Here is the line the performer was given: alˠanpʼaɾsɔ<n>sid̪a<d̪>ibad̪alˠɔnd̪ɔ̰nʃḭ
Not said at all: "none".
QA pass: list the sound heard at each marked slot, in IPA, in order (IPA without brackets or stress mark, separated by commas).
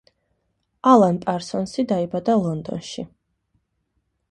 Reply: n, none